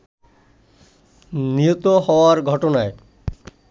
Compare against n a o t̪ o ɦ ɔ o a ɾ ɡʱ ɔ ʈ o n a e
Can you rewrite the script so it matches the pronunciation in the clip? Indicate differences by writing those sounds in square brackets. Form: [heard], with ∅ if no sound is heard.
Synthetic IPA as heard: n [i] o t̪ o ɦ ɔ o a ɾ ɡʱ ɔ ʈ o n a e